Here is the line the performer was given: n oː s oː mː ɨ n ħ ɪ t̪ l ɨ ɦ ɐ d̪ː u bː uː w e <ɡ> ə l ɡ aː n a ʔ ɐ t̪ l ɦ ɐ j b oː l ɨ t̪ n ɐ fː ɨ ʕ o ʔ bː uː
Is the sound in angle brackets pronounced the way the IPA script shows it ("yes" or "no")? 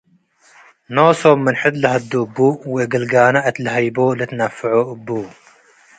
yes